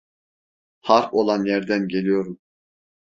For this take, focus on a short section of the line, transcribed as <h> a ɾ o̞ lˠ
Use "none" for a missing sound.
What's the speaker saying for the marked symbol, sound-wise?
h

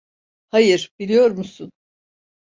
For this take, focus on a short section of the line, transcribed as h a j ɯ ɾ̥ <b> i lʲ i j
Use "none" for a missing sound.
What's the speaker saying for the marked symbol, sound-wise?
b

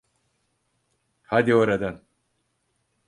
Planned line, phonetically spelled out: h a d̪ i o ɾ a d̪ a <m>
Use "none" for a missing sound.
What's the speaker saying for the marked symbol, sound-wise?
n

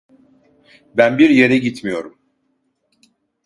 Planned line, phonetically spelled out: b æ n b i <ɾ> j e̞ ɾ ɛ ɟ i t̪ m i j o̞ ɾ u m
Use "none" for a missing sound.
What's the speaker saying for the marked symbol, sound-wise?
ɾ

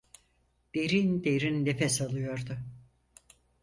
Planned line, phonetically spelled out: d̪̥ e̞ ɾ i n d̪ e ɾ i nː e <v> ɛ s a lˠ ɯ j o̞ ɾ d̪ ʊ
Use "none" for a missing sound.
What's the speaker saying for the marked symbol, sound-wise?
f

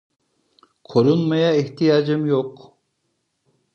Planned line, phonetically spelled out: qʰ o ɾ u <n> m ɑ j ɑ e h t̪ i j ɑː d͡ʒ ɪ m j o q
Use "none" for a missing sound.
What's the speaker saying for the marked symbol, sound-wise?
n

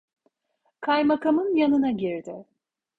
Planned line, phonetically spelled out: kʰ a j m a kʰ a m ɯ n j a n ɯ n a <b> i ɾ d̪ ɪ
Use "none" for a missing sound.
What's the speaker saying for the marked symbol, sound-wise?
ɟ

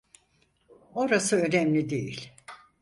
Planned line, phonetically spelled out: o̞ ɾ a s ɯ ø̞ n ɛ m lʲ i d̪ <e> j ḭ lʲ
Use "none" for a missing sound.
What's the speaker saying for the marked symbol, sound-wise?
e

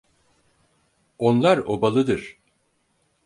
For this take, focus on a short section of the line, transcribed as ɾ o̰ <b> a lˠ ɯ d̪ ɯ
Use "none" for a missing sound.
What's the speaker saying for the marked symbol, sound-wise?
b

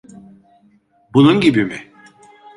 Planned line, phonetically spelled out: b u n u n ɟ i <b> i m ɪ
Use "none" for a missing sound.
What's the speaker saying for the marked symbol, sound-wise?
b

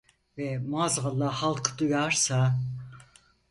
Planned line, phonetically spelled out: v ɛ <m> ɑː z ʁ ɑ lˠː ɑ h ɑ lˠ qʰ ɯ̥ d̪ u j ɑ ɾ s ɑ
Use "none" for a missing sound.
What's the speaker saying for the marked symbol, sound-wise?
m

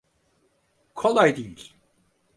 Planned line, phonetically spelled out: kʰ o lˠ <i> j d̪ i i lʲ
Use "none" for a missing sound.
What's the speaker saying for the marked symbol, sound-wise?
a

